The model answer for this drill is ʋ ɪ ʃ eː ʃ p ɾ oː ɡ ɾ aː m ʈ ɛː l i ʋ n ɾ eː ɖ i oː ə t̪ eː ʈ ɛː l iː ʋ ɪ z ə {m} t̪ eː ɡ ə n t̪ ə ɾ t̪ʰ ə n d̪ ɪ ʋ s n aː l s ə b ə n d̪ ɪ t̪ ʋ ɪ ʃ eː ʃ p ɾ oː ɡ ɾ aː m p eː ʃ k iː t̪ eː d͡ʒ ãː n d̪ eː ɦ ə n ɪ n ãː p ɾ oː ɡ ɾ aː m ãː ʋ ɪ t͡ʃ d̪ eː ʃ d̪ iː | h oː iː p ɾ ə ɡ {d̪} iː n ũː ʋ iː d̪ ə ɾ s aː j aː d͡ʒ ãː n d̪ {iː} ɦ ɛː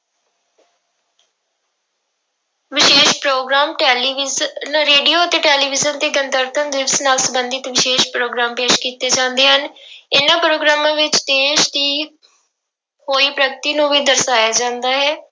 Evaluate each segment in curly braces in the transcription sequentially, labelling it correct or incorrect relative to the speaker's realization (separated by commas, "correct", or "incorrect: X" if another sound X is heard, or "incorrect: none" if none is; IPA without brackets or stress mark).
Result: incorrect: n, incorrect: t̪, incorrect: aː